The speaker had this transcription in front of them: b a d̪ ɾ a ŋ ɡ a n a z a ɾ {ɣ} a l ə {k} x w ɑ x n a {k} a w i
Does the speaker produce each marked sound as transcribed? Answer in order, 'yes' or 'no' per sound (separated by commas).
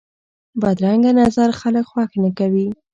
no, yes, yes